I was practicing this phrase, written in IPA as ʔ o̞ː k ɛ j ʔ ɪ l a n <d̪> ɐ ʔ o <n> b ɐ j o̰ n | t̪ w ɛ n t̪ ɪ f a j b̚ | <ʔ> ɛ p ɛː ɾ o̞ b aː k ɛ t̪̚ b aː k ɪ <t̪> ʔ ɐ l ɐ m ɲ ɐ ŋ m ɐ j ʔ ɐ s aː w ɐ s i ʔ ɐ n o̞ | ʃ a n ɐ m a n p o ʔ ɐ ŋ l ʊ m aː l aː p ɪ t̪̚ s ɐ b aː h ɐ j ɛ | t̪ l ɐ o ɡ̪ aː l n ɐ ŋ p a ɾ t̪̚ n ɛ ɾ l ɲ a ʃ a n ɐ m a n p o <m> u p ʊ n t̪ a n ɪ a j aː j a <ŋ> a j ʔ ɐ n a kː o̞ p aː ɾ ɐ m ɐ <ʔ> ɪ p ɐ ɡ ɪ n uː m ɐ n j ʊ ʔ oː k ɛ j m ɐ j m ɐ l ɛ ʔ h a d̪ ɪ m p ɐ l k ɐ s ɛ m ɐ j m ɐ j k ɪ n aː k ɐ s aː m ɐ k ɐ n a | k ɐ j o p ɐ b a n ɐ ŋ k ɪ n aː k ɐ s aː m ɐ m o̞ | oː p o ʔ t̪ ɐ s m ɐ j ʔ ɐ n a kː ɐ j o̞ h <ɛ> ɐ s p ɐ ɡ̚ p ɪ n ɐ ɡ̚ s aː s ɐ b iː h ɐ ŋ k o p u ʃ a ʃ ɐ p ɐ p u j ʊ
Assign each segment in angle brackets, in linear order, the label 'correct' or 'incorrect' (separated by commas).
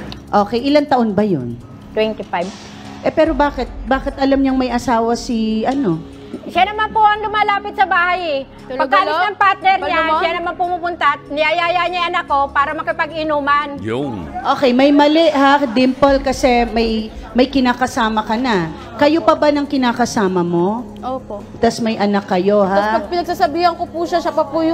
incorrect, correct, correct, correct, correct, incorrect, incorrect, incorrect